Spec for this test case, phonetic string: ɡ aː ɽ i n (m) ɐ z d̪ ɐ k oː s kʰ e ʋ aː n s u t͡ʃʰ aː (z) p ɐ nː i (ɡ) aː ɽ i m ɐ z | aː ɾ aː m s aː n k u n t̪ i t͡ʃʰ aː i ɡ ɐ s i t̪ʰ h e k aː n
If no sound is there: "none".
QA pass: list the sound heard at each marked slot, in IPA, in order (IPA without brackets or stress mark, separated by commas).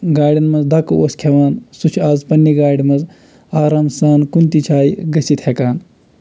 m, z, ɡ